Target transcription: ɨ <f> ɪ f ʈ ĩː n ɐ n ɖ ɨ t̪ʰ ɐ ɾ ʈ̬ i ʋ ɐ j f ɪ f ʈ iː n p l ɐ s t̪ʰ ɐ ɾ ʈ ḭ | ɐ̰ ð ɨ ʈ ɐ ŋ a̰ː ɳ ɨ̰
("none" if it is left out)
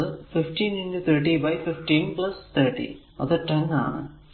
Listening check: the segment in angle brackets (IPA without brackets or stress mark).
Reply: f